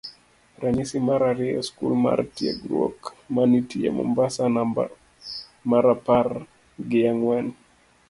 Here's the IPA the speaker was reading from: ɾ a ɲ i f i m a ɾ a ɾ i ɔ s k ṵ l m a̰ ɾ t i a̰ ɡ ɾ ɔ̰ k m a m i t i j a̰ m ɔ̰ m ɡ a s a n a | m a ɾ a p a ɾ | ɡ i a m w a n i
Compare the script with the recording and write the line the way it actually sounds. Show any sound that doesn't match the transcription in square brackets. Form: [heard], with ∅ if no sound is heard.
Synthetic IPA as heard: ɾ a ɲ i [s] i m a ɾ a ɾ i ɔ s k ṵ l m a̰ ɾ t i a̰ ɡ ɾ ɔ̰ k m a [n] i t i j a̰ m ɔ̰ m [b] a s a n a | m a ɾ a p a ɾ | ɡ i a [ŋ] w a n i